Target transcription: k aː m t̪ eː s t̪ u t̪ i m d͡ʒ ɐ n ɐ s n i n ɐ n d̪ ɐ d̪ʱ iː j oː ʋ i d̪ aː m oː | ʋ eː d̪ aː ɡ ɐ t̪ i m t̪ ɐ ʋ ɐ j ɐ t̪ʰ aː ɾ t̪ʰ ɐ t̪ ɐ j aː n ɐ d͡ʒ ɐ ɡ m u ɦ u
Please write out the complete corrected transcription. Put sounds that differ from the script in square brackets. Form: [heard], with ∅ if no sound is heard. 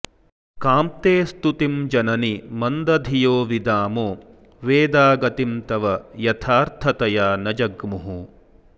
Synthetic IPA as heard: k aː m t̪ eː s t̪ u t̪ i m d͡ʒ ɐ n ɐ [∅] n i [m] ɐ n d̪ ɐ d̪ʱ [i] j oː ʋ i d̪ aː m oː | ʋ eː d̪ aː ɡ ɐ t̪ i m t̪ ɐ ʋ ɐ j ɐ t̪ʰ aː ɾ t̪ʰ ɐ t̪ ɐ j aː n ɐ d͡ʒ ɐ ɡ m u ɦ u